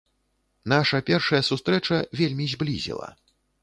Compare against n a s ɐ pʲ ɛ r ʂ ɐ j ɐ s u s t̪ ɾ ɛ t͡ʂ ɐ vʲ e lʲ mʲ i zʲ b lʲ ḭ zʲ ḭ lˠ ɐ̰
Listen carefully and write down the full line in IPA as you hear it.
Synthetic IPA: n a ʂ ɐ pʲ ɛ r ʂ ɐ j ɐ s u s t̪ ɾ ɛ t͡ʂ ɐ vʲ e lʲ mʲ i zʲ b lʲ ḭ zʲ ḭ lˠ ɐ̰